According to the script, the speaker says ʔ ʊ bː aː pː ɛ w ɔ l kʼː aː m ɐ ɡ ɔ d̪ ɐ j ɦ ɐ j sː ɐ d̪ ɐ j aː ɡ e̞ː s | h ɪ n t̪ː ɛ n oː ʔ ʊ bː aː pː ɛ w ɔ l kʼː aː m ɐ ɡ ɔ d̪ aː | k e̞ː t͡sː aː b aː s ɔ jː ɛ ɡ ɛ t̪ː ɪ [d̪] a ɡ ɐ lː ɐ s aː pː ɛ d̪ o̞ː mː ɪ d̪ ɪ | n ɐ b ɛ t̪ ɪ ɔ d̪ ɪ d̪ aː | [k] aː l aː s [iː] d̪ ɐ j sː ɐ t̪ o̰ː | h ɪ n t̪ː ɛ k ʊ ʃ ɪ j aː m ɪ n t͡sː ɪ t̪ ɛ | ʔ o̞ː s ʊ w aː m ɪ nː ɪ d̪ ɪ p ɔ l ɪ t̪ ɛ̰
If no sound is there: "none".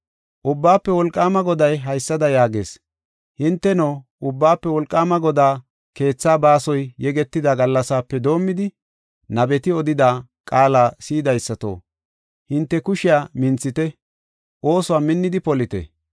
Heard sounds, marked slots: d̪, kʼ, iː

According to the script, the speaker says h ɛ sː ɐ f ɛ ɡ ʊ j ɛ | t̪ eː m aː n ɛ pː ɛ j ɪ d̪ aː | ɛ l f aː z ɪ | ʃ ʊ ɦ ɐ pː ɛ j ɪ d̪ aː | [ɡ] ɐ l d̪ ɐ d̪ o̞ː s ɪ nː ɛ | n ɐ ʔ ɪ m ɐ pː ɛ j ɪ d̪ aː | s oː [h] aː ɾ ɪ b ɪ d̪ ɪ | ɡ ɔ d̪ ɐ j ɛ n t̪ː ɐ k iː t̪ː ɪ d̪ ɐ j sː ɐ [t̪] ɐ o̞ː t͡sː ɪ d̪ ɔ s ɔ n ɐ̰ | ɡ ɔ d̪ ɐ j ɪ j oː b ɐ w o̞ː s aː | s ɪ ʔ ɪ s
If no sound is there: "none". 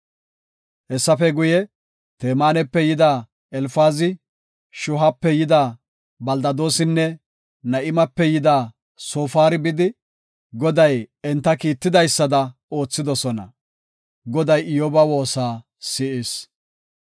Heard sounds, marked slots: b, f, d̪

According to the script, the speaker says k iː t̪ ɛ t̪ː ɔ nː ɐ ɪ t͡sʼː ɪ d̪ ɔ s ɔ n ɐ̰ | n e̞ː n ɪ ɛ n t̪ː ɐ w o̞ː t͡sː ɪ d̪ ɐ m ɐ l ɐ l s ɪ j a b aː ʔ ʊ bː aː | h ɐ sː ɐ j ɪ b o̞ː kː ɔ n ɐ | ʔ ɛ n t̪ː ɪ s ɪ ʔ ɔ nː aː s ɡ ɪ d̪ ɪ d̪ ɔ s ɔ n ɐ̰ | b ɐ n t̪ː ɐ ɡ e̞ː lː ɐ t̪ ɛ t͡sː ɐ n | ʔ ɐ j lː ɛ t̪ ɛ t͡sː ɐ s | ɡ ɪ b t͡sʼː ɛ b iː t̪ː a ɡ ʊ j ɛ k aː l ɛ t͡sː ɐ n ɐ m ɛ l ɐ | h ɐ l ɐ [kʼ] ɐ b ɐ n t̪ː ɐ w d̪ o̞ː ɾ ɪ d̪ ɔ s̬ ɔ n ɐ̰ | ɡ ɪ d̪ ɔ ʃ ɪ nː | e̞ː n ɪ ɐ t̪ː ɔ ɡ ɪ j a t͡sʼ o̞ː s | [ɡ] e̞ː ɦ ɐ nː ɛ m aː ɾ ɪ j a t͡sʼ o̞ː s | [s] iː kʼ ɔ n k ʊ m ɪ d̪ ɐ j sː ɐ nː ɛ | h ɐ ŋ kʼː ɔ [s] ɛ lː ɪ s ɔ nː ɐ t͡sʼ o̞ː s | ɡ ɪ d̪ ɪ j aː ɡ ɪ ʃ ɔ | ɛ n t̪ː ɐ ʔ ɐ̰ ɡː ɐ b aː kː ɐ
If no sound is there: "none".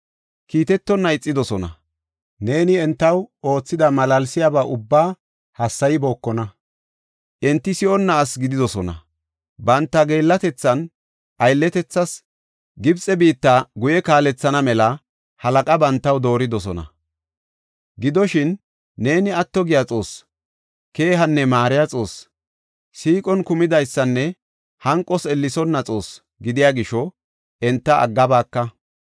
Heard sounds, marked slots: kʼ, k, s, s

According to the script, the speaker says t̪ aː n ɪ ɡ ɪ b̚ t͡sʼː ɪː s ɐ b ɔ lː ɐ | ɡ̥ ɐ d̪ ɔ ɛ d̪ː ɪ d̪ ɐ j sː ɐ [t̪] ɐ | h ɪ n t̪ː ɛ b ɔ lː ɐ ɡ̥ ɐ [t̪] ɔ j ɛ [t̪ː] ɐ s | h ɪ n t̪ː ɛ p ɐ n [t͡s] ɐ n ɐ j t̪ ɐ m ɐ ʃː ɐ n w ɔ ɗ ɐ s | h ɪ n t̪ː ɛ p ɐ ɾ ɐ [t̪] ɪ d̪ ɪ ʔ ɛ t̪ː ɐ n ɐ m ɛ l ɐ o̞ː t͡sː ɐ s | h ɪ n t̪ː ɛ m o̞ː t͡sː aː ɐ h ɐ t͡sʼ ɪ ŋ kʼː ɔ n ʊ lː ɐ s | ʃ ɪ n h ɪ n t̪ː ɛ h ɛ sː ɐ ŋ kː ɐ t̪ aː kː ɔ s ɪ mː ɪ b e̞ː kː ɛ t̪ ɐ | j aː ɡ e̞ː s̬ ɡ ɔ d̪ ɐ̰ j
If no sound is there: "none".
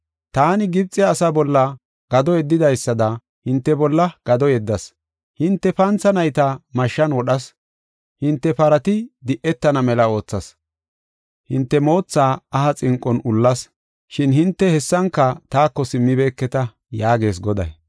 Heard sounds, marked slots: d̪, d̪, d̪ː, t͡s, t̪

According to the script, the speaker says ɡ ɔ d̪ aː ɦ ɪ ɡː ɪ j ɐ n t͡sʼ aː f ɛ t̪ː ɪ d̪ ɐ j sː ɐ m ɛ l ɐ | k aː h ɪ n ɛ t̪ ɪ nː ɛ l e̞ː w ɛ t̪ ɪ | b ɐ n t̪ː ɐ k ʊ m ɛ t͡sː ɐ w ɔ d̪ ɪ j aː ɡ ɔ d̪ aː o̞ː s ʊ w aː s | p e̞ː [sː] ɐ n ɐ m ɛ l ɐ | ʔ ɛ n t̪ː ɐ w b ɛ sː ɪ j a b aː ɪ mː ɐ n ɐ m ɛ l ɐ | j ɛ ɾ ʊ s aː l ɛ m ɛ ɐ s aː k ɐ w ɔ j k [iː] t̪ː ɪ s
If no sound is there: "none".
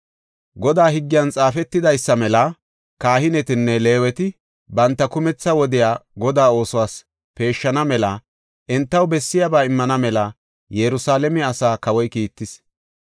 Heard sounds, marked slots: ʃː, iː

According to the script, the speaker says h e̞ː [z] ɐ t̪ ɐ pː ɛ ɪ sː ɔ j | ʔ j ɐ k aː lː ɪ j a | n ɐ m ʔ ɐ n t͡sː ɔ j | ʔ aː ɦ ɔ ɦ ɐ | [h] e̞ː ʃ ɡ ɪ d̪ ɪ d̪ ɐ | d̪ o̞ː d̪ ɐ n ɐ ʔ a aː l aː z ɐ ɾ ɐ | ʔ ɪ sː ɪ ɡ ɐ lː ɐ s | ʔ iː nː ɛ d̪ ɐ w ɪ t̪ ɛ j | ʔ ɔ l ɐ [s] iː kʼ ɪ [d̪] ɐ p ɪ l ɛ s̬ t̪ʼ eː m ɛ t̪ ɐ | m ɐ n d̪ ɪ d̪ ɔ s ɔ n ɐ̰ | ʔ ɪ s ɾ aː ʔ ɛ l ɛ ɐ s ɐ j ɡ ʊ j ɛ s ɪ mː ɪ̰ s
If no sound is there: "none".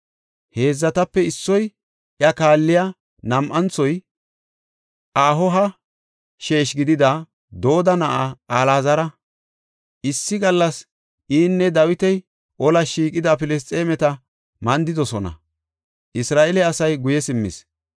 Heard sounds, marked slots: zː, ʃ, ʃ, d̪

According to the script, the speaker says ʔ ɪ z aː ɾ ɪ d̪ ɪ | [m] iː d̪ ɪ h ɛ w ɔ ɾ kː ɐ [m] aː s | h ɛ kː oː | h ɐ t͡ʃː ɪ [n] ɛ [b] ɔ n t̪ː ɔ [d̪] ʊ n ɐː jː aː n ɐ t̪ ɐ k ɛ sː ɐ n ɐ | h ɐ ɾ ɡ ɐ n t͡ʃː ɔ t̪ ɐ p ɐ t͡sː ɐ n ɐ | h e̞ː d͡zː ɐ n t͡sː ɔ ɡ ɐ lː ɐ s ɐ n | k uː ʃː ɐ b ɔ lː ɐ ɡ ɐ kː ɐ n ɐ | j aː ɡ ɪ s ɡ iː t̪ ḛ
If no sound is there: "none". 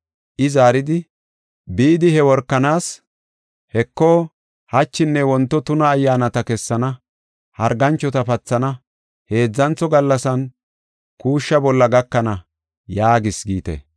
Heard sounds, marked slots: b, n, nː, w, t̪

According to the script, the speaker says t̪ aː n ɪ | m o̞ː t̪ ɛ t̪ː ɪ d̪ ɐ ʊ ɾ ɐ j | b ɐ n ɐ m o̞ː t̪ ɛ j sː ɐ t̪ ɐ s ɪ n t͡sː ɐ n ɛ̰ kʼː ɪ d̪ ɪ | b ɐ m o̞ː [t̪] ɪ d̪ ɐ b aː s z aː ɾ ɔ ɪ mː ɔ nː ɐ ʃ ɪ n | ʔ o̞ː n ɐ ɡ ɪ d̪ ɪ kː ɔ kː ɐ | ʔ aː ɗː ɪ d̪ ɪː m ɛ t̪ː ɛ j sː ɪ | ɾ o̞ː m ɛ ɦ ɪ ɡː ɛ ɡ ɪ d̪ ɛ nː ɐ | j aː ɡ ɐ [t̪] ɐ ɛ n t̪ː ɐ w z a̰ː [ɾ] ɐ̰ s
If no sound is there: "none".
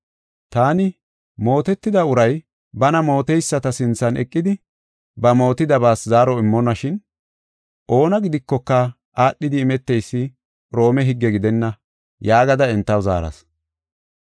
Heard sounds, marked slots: t̪, d̪, ɾ

